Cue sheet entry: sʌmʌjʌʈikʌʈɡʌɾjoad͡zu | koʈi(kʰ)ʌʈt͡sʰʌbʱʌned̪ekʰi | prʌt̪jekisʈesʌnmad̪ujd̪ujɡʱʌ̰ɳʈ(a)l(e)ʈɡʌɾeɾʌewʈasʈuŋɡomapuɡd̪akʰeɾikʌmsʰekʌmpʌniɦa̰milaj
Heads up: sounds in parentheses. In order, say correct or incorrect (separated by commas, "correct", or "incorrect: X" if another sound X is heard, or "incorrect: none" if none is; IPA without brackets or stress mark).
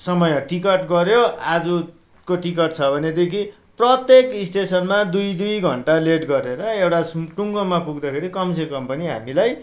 incorrect: k, correct, correct